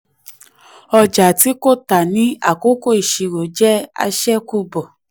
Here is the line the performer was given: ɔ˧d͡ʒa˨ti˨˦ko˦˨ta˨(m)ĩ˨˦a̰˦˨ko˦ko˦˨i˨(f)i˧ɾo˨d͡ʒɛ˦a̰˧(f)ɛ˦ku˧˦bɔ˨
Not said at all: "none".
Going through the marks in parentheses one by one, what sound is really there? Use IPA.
n, ʃ, ʃ

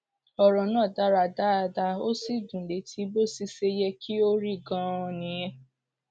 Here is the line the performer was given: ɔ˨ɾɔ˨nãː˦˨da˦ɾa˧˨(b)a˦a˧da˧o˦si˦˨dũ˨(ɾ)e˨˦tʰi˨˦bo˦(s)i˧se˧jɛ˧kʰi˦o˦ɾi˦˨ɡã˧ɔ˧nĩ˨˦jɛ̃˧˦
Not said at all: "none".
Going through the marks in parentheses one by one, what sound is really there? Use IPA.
d, l, s

